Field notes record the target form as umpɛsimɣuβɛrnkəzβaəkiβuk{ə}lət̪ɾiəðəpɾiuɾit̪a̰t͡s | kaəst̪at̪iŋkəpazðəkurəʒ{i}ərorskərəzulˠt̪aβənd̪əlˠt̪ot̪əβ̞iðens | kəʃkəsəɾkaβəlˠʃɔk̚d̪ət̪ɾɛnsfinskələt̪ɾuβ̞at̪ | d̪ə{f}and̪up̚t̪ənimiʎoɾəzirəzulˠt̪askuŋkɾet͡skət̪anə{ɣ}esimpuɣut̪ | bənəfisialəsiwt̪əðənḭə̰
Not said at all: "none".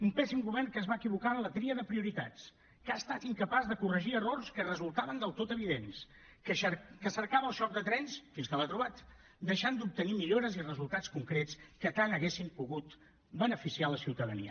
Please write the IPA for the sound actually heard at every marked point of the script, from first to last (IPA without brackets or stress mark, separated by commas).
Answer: a, i, ʃ, ɣ